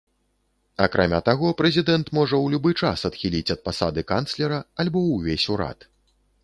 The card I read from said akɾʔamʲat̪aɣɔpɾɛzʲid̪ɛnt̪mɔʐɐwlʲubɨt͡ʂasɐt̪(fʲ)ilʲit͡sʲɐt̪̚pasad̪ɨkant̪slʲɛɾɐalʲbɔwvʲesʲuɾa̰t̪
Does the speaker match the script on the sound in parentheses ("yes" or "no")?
no